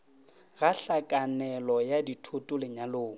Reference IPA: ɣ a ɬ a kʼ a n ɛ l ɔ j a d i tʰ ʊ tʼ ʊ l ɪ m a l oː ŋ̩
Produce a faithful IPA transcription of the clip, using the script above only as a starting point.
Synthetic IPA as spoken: ɣ a ɬ a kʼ a n ɛ l ɔ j a d i tʰ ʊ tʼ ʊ l ɪ ɲ a l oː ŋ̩